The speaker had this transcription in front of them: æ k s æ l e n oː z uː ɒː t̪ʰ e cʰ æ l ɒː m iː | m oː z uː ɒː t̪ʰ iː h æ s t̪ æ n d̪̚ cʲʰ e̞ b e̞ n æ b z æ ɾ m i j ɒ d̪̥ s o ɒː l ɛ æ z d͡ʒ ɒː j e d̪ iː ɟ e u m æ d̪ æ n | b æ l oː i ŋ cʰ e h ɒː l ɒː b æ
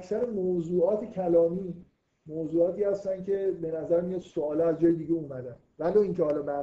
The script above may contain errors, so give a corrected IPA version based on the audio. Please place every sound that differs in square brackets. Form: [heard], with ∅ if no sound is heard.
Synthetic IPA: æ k s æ [ɾ] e [m] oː z uː ɒː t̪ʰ e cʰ æ l ɒː m iː | m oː z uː ɒː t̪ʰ iː h æ s t̪ æ n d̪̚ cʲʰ e̞ b e̞ n æ [∅] z æ ɾ m i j ɒ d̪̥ s o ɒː l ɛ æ z d͡ʒ ɒː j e d̪ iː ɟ e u m æ d̪ æ n | [v] æ l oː i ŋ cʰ e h ɒː l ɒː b æ